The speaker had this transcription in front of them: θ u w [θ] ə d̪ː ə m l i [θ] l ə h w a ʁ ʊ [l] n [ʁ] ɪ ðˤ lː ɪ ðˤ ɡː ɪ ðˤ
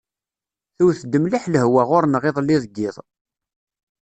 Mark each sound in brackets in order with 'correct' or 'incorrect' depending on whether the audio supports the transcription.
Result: correct, incorrect: ħ, incorrect: ɾ, correct

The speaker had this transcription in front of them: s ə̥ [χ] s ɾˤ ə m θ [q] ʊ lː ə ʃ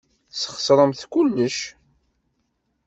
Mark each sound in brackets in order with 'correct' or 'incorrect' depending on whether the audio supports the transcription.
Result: correct, incorrect: k

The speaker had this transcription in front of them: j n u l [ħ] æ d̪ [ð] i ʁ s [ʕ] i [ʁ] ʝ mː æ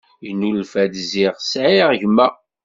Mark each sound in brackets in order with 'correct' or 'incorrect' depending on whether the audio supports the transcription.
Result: incorrect: f, incorrect: z, correct, correct

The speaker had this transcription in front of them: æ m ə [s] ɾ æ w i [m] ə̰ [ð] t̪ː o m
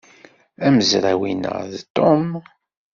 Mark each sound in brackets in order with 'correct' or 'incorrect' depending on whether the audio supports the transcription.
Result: incorrect: z, incorrect: n, correct

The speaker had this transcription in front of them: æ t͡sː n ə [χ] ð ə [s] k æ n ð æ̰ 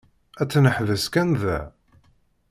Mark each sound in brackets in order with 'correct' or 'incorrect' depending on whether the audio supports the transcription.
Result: incorrect: ħ, correct

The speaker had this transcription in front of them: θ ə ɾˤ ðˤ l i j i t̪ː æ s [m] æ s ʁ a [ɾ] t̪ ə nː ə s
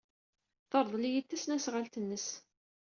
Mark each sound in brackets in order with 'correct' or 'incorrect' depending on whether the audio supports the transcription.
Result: incorrect: n, incorrect: l

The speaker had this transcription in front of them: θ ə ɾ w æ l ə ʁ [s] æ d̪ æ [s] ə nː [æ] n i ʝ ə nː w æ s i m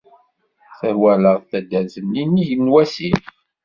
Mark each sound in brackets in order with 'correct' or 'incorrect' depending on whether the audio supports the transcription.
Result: incorrect: θ, incorrect: z, incorrect: i

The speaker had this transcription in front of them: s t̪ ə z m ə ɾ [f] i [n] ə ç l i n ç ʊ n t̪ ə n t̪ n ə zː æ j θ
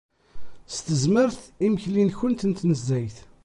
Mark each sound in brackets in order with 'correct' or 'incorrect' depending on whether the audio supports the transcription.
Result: incorrect: θ, incorrect: m

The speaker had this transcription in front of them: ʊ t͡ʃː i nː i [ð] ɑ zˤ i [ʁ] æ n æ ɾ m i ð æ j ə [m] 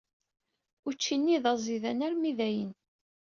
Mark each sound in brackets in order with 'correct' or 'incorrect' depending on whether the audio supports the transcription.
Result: correct, incorrect: ð, incorrect: n

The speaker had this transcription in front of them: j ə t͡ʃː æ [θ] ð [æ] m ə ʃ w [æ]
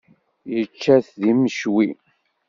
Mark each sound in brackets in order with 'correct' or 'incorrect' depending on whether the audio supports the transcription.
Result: correct, incorrect: i, incorrect: i

